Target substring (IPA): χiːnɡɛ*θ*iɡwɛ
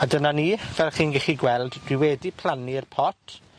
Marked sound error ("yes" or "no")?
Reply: yes